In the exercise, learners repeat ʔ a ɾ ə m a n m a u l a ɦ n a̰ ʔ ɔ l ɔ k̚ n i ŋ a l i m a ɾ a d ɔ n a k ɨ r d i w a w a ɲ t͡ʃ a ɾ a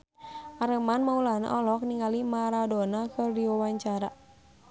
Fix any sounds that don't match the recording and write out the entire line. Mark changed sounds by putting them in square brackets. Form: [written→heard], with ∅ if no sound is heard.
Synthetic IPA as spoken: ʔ a ɾ ə m a n m a u l a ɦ n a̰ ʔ ɔ l ɔ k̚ n i ŋ a l i m a ɾ a d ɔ n a k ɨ r d i w a w a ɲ t͡ʃ a ɾ a